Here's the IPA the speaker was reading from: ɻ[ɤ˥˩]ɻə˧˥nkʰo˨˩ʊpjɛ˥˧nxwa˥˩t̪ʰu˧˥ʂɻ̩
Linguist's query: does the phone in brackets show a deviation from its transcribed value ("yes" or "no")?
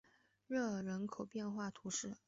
no